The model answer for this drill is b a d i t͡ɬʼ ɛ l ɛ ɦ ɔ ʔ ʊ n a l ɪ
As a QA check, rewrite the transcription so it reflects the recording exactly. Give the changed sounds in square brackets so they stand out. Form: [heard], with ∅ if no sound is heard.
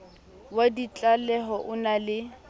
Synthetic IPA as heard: [w] a d i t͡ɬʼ [a] l ɛ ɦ ɔ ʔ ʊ n a l ɪ